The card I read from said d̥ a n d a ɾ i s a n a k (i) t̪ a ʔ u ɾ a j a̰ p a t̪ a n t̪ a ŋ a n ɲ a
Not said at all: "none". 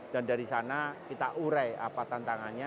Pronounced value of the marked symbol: i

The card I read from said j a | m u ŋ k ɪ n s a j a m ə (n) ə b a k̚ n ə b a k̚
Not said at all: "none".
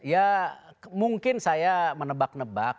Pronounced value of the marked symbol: n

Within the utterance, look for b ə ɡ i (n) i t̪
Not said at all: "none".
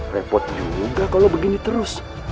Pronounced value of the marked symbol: n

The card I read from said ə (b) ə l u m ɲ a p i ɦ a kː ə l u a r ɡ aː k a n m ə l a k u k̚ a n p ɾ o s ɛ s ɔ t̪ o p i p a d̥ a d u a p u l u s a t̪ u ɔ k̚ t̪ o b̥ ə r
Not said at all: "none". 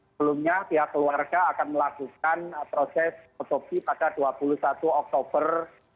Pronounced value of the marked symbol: b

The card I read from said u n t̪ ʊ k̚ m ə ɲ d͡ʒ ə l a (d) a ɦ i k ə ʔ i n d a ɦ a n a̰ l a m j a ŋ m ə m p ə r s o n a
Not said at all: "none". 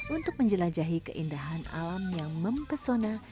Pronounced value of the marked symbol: d͡ʒ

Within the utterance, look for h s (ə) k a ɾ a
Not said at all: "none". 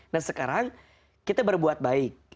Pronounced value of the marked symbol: ə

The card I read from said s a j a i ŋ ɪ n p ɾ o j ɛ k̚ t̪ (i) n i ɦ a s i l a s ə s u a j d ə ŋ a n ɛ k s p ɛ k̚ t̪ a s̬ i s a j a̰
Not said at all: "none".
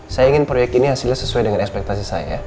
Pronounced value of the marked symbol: i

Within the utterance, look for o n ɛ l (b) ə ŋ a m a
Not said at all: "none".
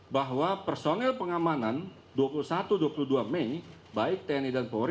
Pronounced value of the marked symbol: p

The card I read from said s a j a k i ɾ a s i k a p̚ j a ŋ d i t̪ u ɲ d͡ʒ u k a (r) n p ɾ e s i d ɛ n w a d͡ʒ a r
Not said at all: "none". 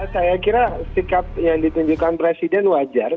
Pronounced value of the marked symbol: none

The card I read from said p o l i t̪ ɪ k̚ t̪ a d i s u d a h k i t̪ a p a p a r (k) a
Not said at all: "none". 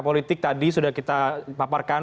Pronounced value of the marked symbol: k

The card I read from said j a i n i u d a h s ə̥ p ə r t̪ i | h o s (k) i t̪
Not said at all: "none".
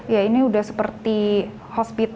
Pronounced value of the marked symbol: p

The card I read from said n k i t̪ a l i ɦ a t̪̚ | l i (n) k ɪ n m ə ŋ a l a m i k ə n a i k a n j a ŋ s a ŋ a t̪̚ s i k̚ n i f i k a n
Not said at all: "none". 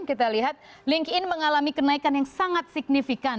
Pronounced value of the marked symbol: ŋ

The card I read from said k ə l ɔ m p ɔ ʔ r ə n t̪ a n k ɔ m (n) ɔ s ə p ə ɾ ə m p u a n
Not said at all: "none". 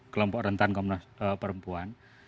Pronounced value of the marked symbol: n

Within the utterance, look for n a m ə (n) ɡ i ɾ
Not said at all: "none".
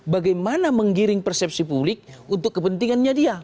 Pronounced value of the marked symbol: ŋ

